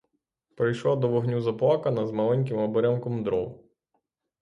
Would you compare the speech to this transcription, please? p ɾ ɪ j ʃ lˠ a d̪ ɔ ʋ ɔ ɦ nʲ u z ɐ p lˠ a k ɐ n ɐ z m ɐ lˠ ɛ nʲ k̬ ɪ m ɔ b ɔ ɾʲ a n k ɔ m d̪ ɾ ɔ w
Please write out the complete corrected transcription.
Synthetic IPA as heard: p ɾ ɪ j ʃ lˠ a d̪ ɔ ʋ ɔ ɦ nʲ u z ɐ p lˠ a k ɐ n ɐ z m ɐ lˠ ɛ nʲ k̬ ɪ m ɔ b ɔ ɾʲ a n k ɔ m d̪ ɾ ɔ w